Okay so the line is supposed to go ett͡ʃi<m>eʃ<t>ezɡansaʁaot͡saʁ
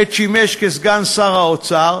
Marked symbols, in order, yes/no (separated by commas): yes, no